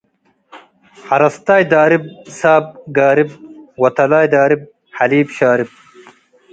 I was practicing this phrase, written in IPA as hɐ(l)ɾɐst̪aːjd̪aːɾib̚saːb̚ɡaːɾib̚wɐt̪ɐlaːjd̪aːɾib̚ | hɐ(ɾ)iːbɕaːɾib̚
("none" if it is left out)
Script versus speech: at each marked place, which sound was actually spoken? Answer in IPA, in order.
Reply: none, l

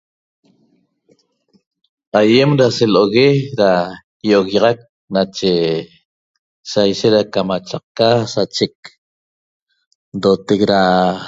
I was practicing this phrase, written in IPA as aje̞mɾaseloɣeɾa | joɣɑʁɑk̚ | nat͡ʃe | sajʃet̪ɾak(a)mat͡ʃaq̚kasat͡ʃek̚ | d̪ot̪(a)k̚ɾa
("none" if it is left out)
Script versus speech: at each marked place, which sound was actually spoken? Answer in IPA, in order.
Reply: a, e

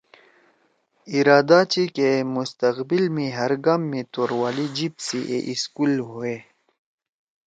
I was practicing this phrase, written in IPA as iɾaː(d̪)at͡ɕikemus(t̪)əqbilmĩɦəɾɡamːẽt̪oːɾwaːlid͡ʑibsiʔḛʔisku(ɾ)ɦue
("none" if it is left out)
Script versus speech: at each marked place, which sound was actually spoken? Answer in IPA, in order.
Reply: d̪, t̪, l

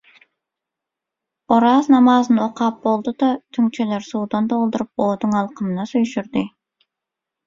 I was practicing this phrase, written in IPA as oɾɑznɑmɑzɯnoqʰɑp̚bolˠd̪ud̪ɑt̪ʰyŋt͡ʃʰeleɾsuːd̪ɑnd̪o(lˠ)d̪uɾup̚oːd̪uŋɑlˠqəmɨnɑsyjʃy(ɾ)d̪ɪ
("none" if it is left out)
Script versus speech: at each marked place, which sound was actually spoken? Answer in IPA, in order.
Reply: lˠ, ɾ

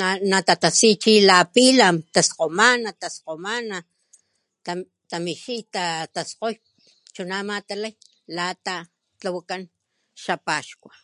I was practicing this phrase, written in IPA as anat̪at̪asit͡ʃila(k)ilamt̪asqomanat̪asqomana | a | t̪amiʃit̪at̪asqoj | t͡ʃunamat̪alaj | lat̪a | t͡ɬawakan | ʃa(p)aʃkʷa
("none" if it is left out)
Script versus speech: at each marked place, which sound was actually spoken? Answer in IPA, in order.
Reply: p, p

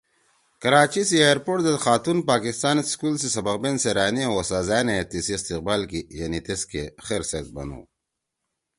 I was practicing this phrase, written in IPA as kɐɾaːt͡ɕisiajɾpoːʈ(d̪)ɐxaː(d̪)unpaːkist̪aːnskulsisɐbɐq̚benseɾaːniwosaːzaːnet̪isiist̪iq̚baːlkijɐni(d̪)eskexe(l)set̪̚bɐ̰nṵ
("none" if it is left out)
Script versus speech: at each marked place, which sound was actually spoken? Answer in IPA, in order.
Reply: d̪, t̪, t̪, ɾ

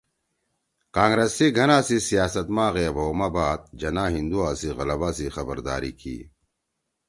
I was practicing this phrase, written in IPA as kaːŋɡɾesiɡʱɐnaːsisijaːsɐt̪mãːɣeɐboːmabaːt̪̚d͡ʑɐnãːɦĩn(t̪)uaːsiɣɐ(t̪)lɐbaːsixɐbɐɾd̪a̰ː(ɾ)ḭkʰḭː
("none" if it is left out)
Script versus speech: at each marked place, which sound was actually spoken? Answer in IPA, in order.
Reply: d̪, none, ɾ

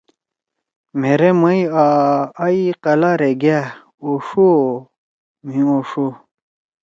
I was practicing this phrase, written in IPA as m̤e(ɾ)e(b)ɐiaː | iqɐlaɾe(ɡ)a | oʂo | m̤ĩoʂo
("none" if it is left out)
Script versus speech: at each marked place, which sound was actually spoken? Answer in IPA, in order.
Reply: ɾ, m, ɡ

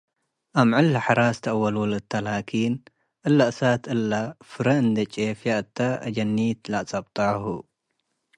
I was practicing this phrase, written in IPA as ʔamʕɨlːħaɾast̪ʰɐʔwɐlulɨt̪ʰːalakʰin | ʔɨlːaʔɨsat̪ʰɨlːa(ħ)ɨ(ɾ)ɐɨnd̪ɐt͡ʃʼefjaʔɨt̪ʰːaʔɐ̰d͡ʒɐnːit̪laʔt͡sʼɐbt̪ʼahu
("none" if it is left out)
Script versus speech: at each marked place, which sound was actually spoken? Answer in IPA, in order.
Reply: f, ɾ

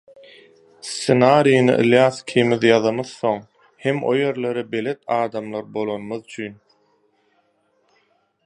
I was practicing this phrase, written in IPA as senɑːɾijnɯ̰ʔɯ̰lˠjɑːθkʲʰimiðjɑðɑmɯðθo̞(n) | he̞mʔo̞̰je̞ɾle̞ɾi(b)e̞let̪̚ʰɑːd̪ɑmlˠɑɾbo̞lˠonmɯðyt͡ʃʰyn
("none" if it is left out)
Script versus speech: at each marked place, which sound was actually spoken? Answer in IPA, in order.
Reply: ŋ, b

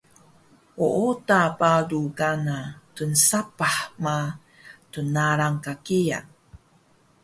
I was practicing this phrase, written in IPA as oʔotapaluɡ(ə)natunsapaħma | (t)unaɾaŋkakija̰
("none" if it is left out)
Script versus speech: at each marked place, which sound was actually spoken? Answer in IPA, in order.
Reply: a, t

